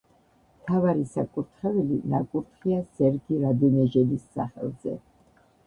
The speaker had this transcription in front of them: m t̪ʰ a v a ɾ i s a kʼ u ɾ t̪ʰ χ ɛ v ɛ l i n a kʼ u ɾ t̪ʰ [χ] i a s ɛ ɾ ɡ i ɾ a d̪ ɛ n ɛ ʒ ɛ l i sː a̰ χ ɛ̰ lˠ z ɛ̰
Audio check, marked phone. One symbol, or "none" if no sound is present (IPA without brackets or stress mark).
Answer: χ